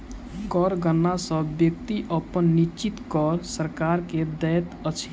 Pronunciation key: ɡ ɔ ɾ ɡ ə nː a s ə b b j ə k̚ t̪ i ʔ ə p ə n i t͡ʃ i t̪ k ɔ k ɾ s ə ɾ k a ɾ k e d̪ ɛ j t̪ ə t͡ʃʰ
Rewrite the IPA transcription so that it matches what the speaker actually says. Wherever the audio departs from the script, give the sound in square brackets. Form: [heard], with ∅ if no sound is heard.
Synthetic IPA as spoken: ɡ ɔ ɾ ɡ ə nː a s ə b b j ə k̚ t̪ i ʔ ə p ə [nː] i t͡ʃ i t̪ k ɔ [∅] ɾ s ə ɾ k a ɾ k e d̪ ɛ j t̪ ə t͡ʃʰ